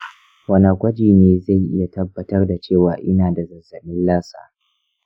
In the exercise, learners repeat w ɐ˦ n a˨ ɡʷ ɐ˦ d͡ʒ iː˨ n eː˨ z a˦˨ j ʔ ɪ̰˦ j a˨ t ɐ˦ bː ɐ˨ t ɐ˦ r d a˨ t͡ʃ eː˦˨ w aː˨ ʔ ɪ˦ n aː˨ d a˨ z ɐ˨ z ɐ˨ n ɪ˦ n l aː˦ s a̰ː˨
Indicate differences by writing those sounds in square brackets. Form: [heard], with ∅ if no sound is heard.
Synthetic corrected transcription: w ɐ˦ n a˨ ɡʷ ɐ˦ d͡ʒ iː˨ n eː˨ z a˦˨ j ʔ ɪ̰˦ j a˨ t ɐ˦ bː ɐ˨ t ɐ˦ r d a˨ t͡ʃ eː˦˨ w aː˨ ʔ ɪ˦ n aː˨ d a˨ z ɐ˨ z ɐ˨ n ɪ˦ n l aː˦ s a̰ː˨